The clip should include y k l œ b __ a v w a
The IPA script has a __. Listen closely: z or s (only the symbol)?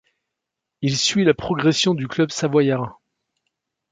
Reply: s